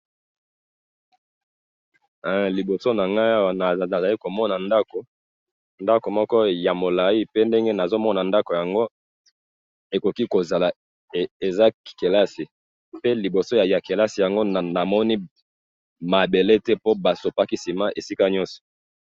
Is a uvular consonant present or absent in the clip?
absent